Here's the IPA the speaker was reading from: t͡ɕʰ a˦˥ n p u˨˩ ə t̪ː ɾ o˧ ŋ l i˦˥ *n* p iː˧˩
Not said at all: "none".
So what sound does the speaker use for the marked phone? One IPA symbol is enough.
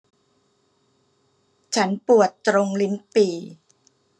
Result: n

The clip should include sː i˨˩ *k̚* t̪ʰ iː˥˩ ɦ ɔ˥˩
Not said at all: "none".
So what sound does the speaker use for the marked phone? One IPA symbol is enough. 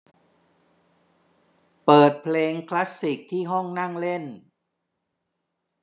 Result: k̚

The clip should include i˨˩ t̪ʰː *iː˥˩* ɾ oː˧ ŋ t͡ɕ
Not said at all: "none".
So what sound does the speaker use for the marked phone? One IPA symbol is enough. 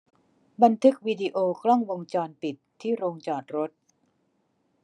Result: iː˥˩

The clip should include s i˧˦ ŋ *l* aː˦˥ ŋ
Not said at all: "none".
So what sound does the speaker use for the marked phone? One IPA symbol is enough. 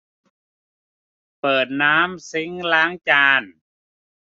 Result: l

